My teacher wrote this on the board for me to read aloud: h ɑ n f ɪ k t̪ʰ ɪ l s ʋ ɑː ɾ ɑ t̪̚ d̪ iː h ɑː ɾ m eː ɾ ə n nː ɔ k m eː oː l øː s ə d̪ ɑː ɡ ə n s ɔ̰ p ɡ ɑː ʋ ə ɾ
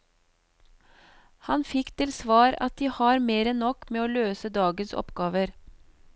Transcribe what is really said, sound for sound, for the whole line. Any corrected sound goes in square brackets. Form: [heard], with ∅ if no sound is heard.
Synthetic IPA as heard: h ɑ n f ɪ k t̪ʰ ɪ l s ʋ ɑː ɾ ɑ t̪̚ d̪ iː h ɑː ɾ m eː ɾ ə n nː ɔ k m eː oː l øː s ə d̪ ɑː ɡ ə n s ɔ̰ p ɡ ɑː ʋ ə ɾ